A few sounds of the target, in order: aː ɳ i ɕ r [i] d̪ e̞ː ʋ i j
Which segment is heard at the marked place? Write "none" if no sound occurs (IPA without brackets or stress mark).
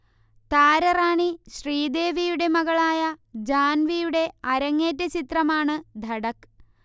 iː